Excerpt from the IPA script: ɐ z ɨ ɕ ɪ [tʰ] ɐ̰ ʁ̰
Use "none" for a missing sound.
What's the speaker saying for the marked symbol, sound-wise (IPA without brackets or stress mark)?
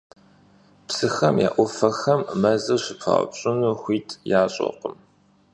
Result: pʰ